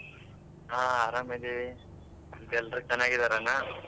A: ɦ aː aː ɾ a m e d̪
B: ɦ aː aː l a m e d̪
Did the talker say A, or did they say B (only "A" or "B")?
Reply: A